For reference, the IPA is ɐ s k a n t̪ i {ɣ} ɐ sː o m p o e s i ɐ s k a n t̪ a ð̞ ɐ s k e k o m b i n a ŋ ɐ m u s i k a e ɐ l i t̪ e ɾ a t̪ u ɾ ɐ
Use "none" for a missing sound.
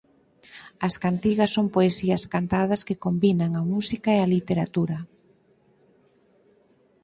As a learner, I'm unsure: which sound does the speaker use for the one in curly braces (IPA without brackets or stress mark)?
ɣ